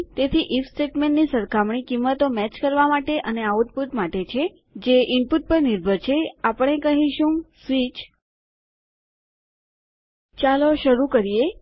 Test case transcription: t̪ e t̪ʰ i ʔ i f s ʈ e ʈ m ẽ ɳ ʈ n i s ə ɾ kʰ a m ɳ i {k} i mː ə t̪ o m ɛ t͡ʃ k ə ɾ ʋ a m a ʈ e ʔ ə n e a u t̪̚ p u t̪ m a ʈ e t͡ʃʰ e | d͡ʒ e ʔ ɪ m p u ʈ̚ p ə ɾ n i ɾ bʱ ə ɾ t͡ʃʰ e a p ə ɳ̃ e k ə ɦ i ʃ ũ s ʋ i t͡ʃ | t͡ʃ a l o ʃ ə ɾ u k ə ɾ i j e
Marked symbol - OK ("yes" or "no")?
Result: yes